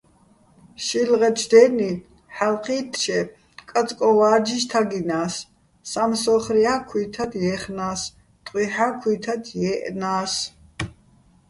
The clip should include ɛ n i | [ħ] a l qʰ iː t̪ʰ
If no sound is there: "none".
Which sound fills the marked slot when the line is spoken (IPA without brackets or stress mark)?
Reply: ħ